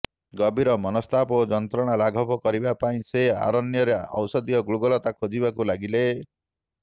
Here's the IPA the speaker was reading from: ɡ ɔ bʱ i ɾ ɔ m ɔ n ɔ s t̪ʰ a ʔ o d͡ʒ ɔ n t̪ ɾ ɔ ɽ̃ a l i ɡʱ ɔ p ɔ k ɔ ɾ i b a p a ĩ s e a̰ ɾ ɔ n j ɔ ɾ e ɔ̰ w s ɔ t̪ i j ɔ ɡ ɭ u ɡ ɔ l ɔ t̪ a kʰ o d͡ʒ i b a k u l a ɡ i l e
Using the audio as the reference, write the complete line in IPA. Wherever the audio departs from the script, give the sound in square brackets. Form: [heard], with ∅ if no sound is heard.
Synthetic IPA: ɡ ɔ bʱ i ɾ ɔ m ɔ n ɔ s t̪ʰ a [p] o d͡ʒ ɔ n t̪ ɾ ɔ ɽ̃ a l [a] ɡʱ ɔ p ɔ k ɔ ɾ i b a p a ĩ s e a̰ ɾ ɔ n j ɔ ɾ e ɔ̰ w s ɔ [d̪] i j ɔ ɡ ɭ u ɡ ɔ l ɔ t̪ a kʰ o d͡ʒ i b a k u l a ɡ i l e

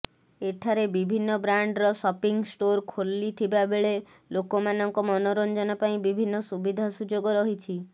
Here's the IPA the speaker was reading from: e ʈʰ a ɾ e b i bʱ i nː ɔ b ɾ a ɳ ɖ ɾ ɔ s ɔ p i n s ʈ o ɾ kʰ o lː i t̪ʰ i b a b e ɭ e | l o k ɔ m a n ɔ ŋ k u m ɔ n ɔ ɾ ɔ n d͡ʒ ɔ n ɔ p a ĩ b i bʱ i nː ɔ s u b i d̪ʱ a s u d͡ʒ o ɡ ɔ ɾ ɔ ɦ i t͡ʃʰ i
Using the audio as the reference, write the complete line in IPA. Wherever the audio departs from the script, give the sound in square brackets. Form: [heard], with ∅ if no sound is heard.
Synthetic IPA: e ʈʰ a ɾ e b i bʱ i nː ɔ b ɾ a ɳ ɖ ɾ ɔ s ɔ p i [ŋ] s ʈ o ɾ kʰ o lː i t̪ʰ i b a b e ɭ e | l o k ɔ m a n ɔ ŋ k [ɔ] m ɔ n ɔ ɾ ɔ n d͡ʒ ɔ n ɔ p a ĩ b i bʱ i nː ɔ s u b i d̪ʱ a s u d͡ʒ o ɡ ɔ ɾ ɔ ɦ i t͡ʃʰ i

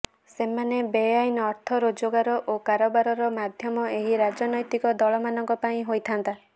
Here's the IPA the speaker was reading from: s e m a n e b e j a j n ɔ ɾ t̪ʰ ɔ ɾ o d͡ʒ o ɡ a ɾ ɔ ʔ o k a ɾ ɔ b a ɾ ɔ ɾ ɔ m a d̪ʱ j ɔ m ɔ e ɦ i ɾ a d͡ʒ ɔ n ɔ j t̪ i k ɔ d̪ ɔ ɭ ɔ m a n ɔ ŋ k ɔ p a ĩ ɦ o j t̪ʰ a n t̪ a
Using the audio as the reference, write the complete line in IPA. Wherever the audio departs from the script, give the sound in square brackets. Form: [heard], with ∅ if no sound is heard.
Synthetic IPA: s e m a n e b e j a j n ɔ ɾ t̪ʰ ɔ ɾ o d͡ʒ o ɡ a ɾ ɔ ʔ o k a ɾ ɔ b a ɾ ɔ ɾ ɔ m a d̪ʱ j ɔ m ɔ e ɦ i ɾ a d͡ʒ ɔ n ɔ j t̪ i k ɔ d̪ ɔ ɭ ɔ m a n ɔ ŋ k ɔ p a ĩ ɦ o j t̪ʰ a n t̪ a

